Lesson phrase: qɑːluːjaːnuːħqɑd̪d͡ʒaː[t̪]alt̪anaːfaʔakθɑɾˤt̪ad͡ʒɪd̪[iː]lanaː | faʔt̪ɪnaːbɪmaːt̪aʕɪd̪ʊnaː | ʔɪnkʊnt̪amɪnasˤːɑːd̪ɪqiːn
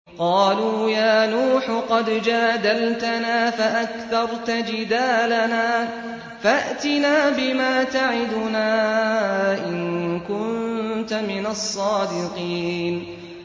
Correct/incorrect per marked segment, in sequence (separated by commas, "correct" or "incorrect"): incorrect, incorrect